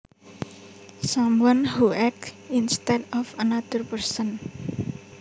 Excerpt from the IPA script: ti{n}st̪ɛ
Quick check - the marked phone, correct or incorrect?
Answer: correct